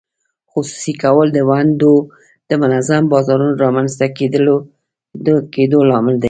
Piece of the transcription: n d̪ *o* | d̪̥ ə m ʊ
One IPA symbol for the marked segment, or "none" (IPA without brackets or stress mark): o